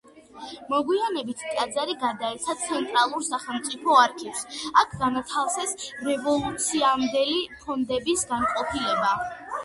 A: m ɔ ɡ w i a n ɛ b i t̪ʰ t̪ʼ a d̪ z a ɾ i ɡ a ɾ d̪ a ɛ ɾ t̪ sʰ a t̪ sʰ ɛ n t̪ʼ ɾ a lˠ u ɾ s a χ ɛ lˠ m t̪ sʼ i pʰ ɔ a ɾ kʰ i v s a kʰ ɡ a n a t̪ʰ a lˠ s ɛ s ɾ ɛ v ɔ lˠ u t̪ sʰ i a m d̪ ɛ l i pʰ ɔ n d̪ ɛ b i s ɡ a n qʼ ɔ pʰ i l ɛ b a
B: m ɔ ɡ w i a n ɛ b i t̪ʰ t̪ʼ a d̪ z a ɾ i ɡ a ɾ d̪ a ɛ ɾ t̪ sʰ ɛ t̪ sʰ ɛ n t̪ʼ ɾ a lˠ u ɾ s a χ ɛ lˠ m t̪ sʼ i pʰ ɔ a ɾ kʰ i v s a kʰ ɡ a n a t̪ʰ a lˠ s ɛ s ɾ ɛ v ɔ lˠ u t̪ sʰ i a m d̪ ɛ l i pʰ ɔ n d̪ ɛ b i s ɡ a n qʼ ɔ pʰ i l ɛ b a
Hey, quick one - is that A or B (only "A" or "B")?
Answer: A